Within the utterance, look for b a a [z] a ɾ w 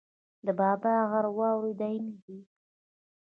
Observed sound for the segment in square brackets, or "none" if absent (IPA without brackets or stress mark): ɣ